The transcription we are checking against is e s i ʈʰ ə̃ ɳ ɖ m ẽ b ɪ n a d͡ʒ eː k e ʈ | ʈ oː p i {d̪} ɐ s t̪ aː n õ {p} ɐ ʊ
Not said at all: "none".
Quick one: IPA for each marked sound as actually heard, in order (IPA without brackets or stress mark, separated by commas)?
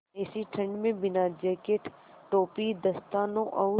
d̪, ʔ